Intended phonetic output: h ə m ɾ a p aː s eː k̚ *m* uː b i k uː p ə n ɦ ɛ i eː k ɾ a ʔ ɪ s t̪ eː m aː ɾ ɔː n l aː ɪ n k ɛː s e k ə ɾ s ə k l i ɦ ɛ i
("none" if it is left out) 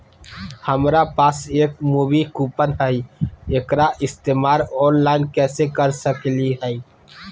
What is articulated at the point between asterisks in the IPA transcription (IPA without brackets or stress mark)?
m